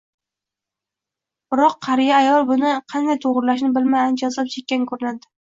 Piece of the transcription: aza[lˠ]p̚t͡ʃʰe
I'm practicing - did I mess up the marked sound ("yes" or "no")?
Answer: yes